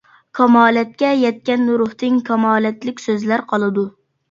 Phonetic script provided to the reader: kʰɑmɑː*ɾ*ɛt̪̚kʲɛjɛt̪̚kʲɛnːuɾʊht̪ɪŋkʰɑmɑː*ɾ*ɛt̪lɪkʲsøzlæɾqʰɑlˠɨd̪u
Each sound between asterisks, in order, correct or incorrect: incorrect, incorrect

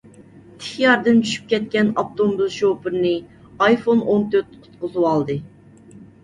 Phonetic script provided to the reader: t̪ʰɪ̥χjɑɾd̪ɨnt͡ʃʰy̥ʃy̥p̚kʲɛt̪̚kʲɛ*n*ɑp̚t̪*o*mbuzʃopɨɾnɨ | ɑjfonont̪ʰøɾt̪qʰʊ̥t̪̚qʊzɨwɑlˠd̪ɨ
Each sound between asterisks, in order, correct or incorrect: correct, correct

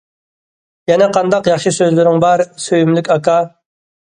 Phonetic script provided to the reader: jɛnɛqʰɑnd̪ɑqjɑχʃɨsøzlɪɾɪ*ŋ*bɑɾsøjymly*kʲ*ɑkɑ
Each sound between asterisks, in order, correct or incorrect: correct, correct

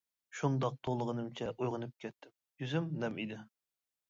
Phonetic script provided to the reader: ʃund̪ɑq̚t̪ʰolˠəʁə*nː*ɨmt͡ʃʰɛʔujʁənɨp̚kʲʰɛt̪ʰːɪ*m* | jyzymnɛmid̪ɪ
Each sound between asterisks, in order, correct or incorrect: incorrect, correct

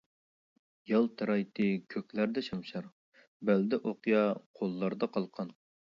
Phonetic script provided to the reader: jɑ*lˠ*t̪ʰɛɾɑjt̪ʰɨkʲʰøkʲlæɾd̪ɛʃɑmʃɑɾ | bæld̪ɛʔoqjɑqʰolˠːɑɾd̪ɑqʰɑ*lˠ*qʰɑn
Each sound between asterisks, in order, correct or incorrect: correct, correct

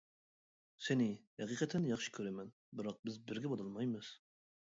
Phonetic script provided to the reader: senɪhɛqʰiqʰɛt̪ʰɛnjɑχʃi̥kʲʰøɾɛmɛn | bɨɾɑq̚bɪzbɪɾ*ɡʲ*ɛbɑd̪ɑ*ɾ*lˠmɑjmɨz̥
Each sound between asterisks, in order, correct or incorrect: correct, incorrect

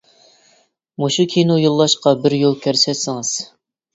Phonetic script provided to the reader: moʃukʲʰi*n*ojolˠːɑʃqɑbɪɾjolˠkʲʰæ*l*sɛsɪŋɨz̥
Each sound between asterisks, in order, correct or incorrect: correct, incorrect

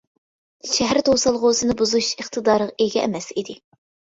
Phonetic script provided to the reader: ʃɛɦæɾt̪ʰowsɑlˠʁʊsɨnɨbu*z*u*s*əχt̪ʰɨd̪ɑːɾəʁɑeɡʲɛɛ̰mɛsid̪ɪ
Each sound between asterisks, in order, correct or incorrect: correct, incorrect

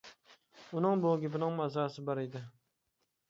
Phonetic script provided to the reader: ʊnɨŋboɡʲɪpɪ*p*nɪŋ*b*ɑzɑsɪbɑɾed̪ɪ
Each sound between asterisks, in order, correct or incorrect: incorrect, incorrect

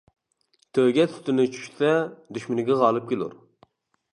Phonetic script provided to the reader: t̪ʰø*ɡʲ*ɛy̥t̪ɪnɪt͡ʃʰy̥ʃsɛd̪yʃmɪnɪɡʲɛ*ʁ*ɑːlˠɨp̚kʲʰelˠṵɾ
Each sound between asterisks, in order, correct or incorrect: correct, correct

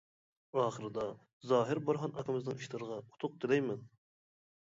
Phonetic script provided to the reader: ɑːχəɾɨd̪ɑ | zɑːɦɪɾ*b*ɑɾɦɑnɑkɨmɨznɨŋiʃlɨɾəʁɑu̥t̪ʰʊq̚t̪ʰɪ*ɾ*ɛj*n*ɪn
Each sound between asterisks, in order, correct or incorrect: correct, incorrect, incorrect

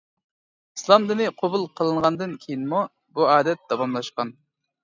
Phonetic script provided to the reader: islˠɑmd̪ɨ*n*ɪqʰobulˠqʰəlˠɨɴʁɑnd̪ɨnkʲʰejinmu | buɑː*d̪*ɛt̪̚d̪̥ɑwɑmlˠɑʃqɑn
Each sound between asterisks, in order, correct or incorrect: correct, correct

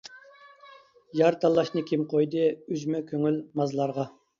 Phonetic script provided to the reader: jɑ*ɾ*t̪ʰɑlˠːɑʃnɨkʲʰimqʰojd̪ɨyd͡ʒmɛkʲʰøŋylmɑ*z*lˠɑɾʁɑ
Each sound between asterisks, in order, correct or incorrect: correct, correct

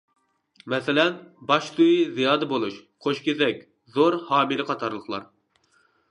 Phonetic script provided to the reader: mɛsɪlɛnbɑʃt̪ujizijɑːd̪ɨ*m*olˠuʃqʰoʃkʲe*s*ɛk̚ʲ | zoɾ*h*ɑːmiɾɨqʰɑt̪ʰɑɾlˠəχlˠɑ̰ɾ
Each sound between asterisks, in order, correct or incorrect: incorrect, incorrect, correct

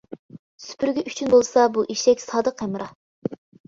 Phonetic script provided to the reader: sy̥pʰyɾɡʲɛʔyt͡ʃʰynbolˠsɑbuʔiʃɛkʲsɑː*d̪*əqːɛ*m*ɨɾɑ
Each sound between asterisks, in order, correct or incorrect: correct, correct

